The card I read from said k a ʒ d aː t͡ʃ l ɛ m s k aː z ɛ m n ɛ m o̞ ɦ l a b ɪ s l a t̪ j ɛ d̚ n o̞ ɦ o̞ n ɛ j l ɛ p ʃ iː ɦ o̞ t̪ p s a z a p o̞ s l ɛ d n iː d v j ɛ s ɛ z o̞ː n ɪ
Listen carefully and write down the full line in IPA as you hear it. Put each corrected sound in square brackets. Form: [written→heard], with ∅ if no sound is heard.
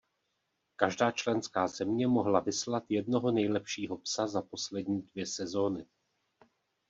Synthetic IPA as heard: k a ʒ d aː t͡ʃ l ɛ [m→n] s k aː z ɛ m [n→ɲ] ɛ m o̞ ɦ l a [b→v] ɪ s l a t̪ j ɛ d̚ n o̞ ɦ o̞ n ɛ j l ɛ p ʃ iː ɦ o̞ [t̪→∅] p s a z a p o̞ s l ɛ d [n→ɲ] iː d v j ɛ s ɛ z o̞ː n ɪ